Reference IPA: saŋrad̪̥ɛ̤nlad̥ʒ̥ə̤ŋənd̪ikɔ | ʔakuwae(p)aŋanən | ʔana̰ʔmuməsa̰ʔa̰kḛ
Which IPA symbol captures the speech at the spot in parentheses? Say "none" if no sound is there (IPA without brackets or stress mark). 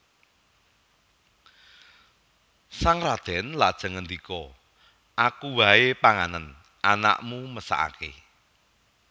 p